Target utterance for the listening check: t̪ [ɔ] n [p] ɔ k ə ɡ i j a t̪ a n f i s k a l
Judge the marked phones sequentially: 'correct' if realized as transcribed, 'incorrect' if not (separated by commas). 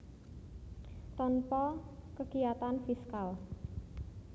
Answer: correct, correct